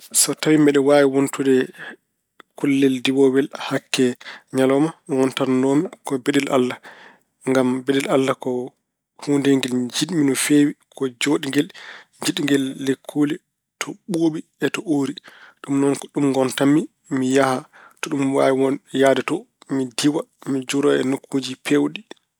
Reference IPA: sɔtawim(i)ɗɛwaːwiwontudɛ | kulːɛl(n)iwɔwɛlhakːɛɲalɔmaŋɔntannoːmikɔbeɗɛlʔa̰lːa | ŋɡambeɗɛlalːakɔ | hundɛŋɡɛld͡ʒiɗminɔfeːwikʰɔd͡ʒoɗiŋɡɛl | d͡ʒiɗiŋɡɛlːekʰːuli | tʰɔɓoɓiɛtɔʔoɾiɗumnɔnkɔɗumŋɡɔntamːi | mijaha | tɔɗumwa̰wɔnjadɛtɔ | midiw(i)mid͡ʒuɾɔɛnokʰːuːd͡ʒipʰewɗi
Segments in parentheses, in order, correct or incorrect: incorrect: ɛ, incorrect: d, incorrect: a

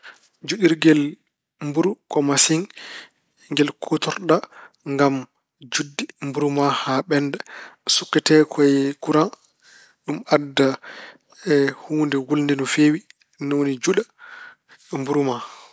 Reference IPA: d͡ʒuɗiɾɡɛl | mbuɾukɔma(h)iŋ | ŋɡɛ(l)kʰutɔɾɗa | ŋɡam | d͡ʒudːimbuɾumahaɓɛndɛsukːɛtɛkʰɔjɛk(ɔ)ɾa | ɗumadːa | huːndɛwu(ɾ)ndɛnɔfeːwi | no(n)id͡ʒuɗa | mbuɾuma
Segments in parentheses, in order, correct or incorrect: incorrect: s, correct, incorrect: u, incorrect: l, correct

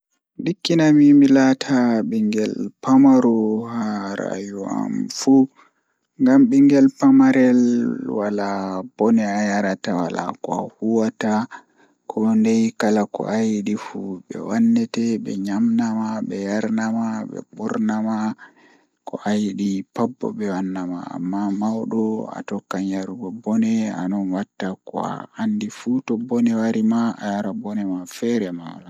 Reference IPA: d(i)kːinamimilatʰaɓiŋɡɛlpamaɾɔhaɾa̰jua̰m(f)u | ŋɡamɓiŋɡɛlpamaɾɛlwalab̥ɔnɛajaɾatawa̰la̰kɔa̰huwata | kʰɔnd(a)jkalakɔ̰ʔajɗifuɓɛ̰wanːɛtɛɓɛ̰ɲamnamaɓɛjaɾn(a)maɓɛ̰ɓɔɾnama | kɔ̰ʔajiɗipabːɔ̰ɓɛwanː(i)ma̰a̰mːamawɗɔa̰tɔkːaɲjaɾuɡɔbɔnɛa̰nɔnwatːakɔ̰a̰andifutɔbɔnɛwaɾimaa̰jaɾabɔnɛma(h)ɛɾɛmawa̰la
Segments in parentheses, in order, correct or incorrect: correct, correct, incorrect: ɛ, correct, incorrect: a, incorrect: f

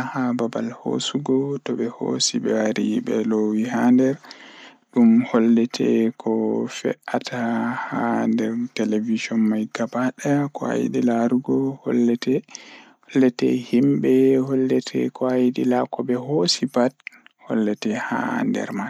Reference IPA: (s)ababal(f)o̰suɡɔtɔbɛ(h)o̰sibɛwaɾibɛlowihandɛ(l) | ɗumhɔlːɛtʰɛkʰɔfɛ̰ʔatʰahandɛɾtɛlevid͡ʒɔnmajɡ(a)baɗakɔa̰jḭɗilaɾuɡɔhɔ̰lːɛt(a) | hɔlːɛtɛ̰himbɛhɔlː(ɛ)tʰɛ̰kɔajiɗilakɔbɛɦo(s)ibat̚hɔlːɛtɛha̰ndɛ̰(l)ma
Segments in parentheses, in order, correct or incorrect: incorrect: h, incorrect: h, correct, incorrect: ɾ, correct, incorrect: ɛ, correct, correct, incorrect: ɾ

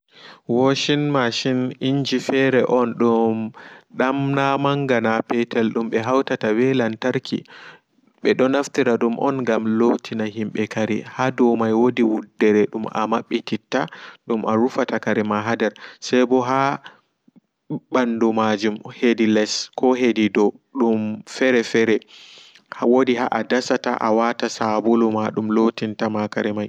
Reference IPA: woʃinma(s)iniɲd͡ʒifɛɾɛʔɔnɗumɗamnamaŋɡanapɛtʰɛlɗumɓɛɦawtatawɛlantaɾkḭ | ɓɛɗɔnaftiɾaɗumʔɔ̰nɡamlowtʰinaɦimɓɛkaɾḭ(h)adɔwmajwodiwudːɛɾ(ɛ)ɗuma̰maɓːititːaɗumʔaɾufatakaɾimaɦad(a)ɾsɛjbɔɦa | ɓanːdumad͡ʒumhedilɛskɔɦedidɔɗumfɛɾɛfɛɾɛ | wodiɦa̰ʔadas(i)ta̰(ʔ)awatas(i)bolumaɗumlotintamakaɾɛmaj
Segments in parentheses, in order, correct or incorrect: incorrect: ʃ, correct, correct, incorrect: ɛ, incorrect: a, correct, incorrect: a

